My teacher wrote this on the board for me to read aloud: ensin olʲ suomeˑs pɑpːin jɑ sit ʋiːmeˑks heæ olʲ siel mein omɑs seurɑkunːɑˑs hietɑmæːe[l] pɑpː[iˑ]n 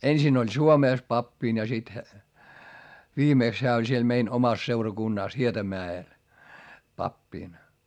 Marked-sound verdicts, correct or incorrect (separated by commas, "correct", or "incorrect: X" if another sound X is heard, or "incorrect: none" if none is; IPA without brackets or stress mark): correct, correct